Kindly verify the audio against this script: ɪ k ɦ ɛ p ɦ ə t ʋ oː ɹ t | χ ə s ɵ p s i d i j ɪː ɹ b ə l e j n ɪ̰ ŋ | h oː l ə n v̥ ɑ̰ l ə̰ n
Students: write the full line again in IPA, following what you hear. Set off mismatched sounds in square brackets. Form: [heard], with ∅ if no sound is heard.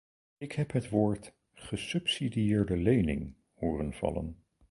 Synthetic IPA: ɪ k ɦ ɛ p ɦ ə t ʋ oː ɹ t | χ ə s ɵ p s i d i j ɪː ɹ [d] ə l e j n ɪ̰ ŋ | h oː [r] ə n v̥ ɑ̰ l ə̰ n